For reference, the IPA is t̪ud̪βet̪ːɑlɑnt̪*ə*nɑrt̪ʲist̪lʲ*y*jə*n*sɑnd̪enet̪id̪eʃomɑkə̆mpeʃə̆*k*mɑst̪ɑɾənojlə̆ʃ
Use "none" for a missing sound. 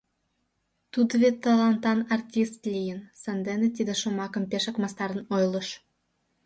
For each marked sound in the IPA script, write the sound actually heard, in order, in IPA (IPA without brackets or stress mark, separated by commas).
ɑ, i, n, k